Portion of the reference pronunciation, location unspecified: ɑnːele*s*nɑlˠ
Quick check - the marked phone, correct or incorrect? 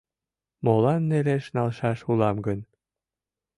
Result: incorrect